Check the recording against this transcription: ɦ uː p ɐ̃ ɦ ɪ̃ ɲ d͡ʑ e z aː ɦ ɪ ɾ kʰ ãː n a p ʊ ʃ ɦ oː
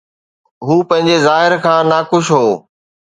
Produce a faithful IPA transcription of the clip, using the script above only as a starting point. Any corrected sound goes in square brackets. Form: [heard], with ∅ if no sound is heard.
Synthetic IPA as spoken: ɦ uː p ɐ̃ ɦ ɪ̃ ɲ d͡ʑ e z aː ɦ ɪ ɾ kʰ ãː n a [k] ʊ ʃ ɦ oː